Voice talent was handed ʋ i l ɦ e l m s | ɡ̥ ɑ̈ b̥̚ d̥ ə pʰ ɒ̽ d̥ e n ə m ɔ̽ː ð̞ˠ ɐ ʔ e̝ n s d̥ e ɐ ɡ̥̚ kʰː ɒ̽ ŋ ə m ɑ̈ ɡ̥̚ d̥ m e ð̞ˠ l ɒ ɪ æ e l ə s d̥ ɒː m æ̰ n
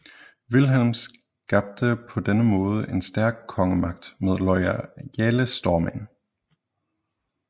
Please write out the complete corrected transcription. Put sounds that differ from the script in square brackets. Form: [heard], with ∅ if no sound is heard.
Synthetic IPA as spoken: ʋ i l ɦ e l m s | ɡ̥ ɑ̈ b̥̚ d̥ ə pʰ ɒ̽ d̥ e n ə m ɔ̽ː ð̞ˠ [ə] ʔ e̝ n s d̥ [æ] ɐ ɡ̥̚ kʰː ɒ̽ ŋ ə m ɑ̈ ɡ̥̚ d̥ m e ð̞ˠ l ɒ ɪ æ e l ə s d̥ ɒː m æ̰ n